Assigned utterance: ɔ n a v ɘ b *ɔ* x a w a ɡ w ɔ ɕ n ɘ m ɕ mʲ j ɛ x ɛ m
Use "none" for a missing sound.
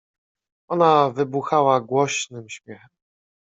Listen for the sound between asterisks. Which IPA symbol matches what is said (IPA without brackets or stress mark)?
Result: u